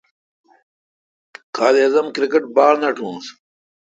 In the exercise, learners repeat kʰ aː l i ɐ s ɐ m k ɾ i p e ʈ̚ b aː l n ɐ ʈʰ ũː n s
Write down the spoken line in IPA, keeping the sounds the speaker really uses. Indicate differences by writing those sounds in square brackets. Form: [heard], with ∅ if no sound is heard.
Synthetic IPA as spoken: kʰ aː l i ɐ [z] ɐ m k ɾ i [k] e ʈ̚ b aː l n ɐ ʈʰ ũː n s